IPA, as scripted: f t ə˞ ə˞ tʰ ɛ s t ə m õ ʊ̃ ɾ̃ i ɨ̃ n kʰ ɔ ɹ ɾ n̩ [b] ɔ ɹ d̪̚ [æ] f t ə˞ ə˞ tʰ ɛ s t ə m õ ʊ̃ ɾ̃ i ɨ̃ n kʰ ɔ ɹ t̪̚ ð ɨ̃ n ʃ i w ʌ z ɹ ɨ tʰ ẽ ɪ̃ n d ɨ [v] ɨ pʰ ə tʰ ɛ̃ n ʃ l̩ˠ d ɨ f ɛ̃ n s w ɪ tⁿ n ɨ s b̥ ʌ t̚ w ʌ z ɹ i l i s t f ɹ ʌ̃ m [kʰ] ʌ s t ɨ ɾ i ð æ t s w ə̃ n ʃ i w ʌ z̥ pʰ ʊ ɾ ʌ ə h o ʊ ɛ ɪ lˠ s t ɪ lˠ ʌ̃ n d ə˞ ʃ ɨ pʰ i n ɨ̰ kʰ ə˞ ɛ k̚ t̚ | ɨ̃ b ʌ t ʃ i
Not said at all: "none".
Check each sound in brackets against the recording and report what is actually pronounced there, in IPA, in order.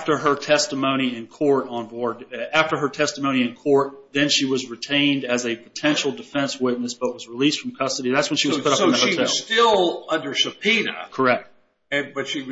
b, æ, z, kʰ

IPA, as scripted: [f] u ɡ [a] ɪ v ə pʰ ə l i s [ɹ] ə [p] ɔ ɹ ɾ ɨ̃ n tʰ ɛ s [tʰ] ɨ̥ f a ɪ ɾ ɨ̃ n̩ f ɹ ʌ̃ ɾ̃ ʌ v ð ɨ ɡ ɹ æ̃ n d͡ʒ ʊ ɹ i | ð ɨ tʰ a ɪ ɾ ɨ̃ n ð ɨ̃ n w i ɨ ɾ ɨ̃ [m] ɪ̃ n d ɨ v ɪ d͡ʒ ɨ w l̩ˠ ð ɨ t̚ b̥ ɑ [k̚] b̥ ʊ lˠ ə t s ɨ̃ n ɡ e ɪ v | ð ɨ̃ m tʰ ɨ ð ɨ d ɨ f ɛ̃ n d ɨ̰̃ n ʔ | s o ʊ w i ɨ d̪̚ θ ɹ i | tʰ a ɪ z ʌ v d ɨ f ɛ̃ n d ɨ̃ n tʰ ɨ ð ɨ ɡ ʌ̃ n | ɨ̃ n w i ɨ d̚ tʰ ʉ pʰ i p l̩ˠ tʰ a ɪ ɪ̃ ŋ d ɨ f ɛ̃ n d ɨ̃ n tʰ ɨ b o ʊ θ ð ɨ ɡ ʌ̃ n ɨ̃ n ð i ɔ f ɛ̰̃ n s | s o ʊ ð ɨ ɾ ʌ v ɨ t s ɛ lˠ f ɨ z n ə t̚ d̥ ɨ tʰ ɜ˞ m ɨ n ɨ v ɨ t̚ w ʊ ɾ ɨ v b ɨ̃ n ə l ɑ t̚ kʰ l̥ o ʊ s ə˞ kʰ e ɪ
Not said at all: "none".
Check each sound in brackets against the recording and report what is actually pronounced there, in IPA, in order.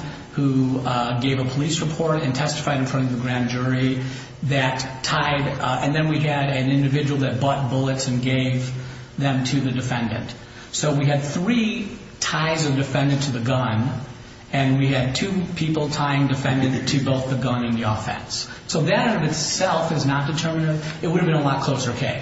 h, e, ɹ, pʰ, t, n, t̚

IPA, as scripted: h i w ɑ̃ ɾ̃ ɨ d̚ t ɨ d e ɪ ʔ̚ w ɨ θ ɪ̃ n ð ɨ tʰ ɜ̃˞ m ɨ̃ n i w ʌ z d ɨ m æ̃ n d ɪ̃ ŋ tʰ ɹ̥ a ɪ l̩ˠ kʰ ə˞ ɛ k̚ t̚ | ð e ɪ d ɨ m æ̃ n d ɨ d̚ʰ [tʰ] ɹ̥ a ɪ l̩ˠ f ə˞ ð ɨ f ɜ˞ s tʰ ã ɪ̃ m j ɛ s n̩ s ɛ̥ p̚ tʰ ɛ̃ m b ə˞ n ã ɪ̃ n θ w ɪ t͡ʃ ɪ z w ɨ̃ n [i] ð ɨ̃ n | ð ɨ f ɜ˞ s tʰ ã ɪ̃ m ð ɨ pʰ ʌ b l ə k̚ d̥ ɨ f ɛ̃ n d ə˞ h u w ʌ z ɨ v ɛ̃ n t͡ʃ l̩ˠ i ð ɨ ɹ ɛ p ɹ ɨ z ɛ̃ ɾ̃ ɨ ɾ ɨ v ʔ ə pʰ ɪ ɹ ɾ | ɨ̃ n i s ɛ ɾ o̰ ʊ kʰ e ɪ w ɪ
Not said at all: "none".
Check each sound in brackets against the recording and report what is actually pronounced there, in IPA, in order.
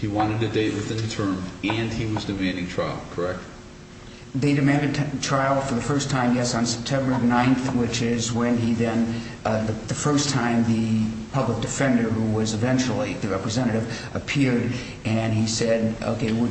tʰ, i

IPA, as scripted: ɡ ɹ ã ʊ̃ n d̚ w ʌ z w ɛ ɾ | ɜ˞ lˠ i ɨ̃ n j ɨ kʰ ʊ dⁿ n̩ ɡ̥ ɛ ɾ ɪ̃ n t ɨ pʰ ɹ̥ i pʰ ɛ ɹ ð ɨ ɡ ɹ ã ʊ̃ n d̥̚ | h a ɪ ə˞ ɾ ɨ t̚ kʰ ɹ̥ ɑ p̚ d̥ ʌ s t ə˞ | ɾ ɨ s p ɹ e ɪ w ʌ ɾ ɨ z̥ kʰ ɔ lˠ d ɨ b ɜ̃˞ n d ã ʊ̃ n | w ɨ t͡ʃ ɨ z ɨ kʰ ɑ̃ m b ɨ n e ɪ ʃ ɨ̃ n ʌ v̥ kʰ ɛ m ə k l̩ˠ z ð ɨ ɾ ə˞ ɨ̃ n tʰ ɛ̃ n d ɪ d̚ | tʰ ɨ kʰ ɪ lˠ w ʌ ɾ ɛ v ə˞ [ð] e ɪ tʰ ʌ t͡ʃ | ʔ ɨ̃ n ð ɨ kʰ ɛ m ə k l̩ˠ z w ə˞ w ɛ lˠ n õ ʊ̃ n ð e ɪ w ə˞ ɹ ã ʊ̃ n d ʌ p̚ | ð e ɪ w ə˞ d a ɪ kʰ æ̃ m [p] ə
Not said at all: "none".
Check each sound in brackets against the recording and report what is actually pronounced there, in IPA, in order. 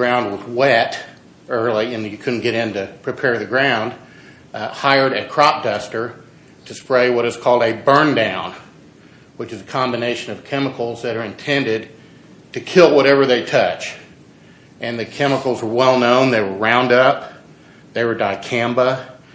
ð, b

